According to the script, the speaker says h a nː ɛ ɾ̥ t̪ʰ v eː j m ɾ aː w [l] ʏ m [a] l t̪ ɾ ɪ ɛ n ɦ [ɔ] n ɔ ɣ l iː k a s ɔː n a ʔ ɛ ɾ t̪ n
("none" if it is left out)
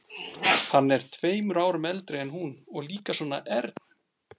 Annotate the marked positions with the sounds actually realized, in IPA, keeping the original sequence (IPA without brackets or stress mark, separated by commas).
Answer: ɾ, ɛ, u